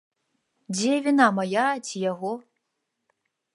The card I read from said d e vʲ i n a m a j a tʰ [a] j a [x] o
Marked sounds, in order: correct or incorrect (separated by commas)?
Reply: incorrect, incorrect